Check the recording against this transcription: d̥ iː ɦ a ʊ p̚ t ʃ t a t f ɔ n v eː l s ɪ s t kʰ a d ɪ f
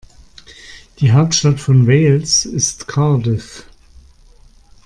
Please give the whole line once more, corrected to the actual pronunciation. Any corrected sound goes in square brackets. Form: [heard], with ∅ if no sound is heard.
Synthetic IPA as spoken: d̥ iː ɦ a ʊ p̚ t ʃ t a t f ɔ n v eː l s ɪ s t kʰ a d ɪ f

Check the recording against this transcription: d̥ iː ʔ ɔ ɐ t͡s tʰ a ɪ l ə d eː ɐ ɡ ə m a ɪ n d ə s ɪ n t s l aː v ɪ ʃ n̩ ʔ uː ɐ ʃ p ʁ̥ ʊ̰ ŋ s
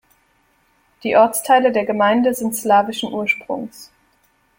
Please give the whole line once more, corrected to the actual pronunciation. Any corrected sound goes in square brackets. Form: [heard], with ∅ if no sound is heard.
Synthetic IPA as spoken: d̥ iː ʔ ɔ ɐ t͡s tʰ a ɪ l ə d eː ɐ ɡ ə m a ɪ n d ə [z] ɪ n t s l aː v ɪ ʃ n̩ ʔ uː ɐ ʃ p ʁ̥ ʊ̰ ŋ s

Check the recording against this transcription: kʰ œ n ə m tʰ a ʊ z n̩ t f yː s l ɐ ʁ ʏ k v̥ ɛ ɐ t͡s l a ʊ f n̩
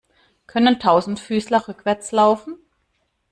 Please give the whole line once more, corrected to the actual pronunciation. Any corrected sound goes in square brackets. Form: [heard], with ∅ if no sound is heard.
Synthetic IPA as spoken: kʰ œ n ə [n] tʰ a ʊ z n̩ t f yː s l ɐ ʁ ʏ k v̥ ɛ ɐ t͡s l a ʊ f n̩

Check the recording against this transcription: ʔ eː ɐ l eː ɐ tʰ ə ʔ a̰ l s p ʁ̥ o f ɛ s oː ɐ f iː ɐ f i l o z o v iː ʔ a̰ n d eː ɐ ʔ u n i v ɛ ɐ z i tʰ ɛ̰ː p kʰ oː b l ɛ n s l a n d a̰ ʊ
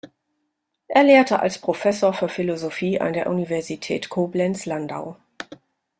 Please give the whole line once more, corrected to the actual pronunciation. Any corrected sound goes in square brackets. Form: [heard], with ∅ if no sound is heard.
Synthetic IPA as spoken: ʔ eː ɐ l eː ɐ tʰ ə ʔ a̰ l s p ʁ̥ o f ɛ s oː ɐ f [yː] ɐ f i l o z o [f] iː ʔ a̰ n d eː ɐ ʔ u n i v ɛ ɐ z i tʰ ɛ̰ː [t] kʰ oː b l ɛ n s l a n d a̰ ʊ

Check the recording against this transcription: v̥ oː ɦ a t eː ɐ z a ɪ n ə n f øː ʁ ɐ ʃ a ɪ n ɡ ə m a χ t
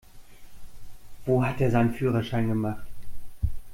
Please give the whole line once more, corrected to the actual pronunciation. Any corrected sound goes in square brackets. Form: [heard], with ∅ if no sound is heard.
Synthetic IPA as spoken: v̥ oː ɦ a t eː ɐ z a ɪ n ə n f [yː] ʁ ɐ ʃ a ɪ n ɡ ə m a χ t

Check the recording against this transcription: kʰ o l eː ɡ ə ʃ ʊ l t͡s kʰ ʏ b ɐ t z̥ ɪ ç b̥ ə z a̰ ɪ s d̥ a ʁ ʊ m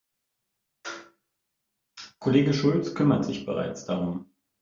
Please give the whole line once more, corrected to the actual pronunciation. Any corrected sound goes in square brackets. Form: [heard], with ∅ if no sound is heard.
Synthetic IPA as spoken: kʰ o l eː ɡ ə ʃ ʊ l t͡s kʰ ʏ [m] ɐ t z̥ ɪ ç b̥ ə [ʁ] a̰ ɪ [t͡s] d̥ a ʁ ʊ m

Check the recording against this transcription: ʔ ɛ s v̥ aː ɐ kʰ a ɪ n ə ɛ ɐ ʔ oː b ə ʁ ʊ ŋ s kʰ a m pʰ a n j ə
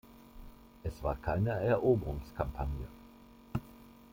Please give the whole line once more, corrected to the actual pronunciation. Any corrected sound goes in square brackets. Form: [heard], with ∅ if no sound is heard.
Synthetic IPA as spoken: ʔ ɛ s v̥ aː ɐ kʰ a ɪ n ə ɛ ɐ ʔ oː b ə ʁ ʊ ŋ s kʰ a m pʰ a n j ə

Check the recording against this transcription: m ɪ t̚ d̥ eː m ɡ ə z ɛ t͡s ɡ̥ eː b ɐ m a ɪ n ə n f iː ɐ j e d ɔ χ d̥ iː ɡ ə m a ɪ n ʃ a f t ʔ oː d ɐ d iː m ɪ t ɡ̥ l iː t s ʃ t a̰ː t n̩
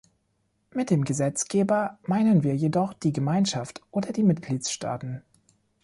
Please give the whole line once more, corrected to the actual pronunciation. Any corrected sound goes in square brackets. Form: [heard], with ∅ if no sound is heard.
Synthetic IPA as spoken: m ɪ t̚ d̥ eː m ɡ ə z ɛ t͡s ɡ̥ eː b ɐ m a ɪ n ə n [v] iː ɐ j e d ɔ χ d̥ iː ɡ ə m a ɪ n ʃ a f t ʔ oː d ɐ d iː m ɪ t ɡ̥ l iː t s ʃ t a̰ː t n̩

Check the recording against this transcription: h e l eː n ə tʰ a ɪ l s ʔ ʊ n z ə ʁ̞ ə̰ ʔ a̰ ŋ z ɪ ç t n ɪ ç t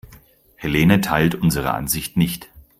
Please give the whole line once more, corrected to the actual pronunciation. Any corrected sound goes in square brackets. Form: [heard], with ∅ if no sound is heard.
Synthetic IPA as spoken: h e l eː n ə tʰ a ɪ l [t] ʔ ʊ n z ə ʁ̞ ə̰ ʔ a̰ [n] z ɪ ç t n ɪ ç t

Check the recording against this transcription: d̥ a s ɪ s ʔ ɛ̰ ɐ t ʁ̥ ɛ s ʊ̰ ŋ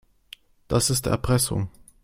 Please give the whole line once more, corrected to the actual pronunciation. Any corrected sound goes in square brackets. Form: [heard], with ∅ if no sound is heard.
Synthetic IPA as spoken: d̥ a s ɪ s [t] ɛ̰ ɐ [p] ʁ̥ ɛ s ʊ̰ ŋ

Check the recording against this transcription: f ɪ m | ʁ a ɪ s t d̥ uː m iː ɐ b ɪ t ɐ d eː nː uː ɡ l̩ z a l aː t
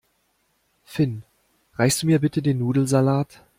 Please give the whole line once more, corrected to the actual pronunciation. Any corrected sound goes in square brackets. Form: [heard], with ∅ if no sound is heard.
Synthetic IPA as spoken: f ɪ [n] | ʁ a ɪ s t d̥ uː m iː ɐ b ɪ t [ə] d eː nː uː [d] l̩ z a l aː t

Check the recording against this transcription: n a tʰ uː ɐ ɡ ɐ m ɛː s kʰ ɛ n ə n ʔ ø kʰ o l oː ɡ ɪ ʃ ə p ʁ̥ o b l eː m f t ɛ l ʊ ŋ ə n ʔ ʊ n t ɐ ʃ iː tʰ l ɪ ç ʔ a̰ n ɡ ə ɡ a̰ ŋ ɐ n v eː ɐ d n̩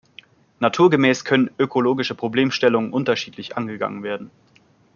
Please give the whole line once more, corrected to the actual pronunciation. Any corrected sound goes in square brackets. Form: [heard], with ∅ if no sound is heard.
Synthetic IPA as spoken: n a tʰ uː ɐ ɡ [ə] m ɛː s kʰ [œ] n ə n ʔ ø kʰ o l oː ɡ ɪ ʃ ə p ʁ̥ o b l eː m [ʃ] t ɛ l ʊ ŋ ə n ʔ ʊ n t ɐ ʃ iː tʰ l ɪ ç ʔ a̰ n ɡ ə ɡ a̰ ŋ [ə] n v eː ɐ d n̩

